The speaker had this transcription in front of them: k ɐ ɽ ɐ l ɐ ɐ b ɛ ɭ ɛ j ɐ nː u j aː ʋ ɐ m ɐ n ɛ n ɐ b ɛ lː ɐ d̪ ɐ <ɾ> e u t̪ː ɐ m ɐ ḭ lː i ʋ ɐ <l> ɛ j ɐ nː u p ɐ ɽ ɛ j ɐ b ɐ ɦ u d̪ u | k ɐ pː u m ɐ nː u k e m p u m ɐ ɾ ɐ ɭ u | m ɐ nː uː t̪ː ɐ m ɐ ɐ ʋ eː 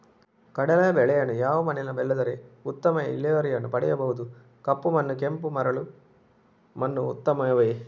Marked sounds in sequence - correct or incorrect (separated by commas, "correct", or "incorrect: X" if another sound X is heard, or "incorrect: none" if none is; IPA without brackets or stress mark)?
correct, incorrect: ɾ